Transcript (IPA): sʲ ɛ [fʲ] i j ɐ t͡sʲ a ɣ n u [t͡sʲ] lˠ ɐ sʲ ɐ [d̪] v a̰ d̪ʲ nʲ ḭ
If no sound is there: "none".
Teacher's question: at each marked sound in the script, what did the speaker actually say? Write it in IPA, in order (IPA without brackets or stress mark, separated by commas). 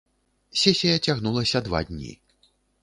sʲ, none, d̪